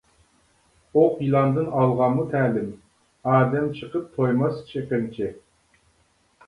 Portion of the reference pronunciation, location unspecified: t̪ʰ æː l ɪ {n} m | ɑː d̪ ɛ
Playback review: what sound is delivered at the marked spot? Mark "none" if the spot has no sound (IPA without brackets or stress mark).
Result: none